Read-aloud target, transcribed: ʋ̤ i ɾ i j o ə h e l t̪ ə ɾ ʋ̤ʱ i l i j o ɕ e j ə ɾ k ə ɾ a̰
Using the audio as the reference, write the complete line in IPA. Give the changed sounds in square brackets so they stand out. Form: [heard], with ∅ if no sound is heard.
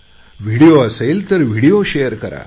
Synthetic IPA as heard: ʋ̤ i [ɽ] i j o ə [s] e l t̪ ə ɾ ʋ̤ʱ i [ɽ] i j o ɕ e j ə ɾ k ə ɾ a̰